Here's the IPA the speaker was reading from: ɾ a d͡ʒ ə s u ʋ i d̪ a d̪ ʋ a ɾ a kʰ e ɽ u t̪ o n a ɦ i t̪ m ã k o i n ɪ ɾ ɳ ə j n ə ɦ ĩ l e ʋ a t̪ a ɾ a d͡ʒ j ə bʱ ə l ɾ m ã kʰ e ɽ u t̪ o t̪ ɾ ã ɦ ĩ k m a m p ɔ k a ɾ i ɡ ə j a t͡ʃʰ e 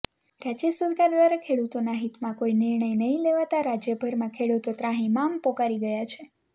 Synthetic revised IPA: ɾ a d͡ʒ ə s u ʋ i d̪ a d̪ ʋ a ɾ a kʰ e ɽ u t̪ o n a ɦ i t̪ m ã k o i n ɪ ɾ ɳ ə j n ə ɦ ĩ l e ʋ a t̪ a ɾ a d͡ʒ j ə bʱ ə ɾ m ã kʰ e ɽ u t̪ o t̪ ɾ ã ɦ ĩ m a m p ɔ k a ɾ i ɡ ə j a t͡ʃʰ e